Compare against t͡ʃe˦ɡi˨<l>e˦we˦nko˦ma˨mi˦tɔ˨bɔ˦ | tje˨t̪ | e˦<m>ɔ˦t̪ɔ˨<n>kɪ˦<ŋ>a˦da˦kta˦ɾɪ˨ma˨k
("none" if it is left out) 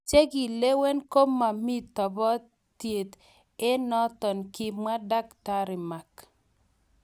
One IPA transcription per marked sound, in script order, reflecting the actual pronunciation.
l, n, n, m

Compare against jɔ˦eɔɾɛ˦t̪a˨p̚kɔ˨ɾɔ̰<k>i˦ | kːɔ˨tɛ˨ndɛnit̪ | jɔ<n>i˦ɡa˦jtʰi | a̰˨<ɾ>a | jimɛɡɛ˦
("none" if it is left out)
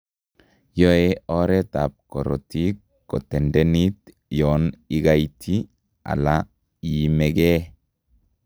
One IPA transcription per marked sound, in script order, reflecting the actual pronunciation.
t, n, l

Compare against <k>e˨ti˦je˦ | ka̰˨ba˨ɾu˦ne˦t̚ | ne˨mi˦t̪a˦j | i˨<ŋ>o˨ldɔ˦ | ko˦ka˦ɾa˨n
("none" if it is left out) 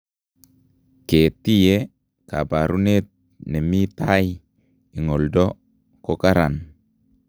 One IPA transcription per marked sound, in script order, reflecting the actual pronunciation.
k, ŋ

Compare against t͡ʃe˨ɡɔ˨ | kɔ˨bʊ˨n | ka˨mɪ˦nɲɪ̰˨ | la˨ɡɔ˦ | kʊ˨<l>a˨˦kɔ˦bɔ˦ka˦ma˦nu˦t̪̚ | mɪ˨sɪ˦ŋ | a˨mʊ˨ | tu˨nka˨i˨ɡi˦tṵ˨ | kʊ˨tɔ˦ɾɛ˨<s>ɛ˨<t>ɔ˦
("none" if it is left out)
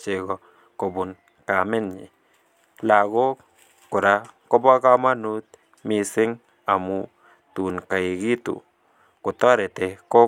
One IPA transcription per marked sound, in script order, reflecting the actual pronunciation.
ɾ, t, k

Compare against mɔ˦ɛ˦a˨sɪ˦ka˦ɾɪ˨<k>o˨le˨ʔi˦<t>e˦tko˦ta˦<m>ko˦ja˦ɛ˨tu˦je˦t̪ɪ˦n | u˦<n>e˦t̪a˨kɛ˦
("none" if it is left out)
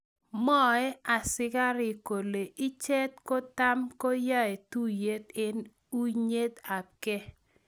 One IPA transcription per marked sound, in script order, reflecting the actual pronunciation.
k, t͡ʃ, m, ɲ

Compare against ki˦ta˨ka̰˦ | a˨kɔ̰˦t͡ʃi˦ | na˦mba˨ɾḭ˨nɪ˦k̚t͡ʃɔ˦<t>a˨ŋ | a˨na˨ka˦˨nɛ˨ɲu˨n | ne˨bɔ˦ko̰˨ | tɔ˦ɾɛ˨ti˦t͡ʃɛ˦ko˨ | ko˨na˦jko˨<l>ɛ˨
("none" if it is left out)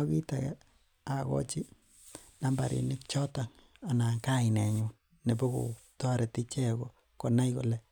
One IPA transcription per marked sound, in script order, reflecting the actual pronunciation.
t, l

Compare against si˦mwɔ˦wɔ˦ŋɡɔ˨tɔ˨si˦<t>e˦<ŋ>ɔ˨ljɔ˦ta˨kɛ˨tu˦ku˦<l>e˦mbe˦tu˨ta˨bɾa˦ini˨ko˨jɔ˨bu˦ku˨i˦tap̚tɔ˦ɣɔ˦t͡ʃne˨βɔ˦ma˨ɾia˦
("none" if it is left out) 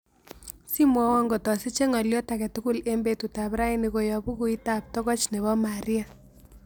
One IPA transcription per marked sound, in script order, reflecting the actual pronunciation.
t͡ʃ, ŋ, l

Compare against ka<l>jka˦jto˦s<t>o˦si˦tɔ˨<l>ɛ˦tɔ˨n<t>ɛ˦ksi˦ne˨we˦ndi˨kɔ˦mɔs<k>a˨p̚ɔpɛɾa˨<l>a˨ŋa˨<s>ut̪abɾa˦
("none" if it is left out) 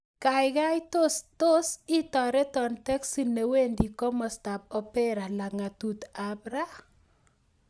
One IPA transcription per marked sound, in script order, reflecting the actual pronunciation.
none, t, ɾ, t, t, l, t

